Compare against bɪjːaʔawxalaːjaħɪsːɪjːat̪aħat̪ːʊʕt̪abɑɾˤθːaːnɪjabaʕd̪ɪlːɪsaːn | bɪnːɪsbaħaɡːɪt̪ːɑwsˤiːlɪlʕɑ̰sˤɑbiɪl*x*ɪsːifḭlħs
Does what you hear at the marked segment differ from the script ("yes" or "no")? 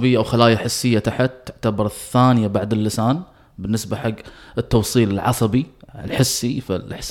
yes